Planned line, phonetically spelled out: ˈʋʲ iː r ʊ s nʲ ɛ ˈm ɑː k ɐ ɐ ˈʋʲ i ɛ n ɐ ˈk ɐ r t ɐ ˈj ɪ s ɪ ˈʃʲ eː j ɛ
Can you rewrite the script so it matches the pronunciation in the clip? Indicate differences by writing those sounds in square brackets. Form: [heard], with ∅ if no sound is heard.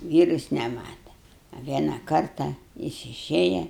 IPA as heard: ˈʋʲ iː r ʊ s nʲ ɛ ˈm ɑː [t] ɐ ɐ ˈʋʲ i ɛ n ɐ ˈk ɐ r t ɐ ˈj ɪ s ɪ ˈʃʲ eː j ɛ